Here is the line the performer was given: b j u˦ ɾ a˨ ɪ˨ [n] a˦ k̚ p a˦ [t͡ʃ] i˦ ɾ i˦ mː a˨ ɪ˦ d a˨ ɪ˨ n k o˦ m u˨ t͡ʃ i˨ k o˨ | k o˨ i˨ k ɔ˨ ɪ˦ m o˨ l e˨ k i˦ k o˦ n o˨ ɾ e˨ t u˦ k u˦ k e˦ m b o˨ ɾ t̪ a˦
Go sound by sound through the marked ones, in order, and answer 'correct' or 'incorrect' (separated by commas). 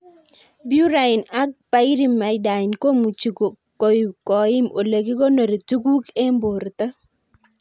correct, incorrect